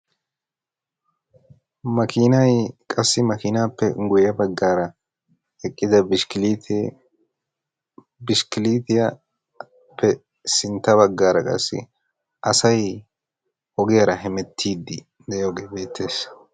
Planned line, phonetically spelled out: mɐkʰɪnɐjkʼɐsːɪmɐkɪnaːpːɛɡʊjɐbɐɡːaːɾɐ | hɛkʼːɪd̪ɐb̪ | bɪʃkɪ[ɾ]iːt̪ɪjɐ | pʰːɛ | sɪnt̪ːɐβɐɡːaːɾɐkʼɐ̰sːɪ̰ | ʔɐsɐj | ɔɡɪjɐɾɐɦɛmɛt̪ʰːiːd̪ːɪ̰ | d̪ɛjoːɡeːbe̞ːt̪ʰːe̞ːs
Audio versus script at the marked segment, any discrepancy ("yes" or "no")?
yes